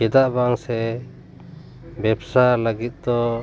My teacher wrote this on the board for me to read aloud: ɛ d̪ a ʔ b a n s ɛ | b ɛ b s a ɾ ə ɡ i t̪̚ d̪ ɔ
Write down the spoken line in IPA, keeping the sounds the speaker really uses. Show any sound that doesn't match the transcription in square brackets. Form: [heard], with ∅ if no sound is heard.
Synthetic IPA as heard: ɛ d̪ a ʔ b a [ŋ] s ɛ | b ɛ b s a [l] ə ɡ i t̪̚ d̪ ɔ